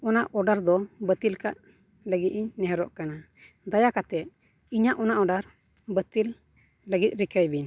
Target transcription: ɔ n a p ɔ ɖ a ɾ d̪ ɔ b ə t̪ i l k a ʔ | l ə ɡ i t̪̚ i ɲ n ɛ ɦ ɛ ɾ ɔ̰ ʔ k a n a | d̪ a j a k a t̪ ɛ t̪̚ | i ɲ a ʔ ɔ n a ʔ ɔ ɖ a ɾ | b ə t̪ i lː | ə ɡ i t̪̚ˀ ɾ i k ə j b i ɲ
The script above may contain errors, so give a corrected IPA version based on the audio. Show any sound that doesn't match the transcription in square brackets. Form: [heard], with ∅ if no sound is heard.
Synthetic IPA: ɔ n a [ʔ] ɔ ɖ a ɾ d̪ ɔ b ə t̪ i l k a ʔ | l ə ɡ i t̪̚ i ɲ n ɛ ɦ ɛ ɾ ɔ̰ ʔ k a n a | d̪ a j a k a t̪ ɛ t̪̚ | i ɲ a ʔ ɔ n a ʔ ɔ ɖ a ɾ | b ə t̪ i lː | ə ɡ i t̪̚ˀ ɾ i k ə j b i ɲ